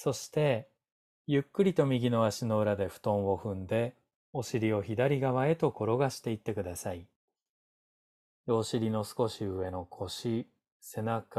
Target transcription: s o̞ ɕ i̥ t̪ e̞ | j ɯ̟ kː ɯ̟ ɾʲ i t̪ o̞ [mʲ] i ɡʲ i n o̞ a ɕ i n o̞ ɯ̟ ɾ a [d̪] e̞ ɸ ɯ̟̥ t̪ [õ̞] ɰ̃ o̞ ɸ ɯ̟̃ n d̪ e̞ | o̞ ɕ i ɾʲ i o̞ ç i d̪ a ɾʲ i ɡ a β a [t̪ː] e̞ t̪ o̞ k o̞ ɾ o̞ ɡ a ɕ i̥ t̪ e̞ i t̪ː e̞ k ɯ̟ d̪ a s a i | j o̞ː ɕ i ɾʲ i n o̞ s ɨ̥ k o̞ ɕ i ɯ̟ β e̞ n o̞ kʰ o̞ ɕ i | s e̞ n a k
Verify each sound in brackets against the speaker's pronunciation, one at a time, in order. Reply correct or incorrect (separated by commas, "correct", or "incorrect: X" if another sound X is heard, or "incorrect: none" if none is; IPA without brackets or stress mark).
correct, correct, correct, incorrect: none